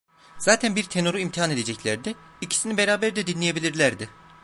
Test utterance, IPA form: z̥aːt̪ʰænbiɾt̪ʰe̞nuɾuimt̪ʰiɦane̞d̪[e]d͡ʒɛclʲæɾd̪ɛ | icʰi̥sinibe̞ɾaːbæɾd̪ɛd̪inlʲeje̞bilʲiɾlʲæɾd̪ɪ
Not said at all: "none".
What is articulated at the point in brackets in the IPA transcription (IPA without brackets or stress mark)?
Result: e